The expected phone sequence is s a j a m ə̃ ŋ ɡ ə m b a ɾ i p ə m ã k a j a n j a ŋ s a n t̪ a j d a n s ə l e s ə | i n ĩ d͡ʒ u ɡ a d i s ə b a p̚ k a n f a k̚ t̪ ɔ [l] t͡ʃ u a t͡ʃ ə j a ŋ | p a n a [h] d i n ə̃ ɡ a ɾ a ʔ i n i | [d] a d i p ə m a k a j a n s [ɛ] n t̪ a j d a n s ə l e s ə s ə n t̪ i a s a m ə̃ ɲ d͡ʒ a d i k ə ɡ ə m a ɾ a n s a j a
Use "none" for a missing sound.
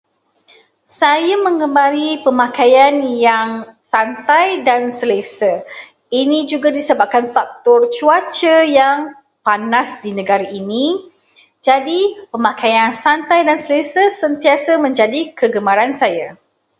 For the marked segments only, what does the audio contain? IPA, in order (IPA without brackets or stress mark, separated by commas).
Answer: r, s, d͡ʒ, a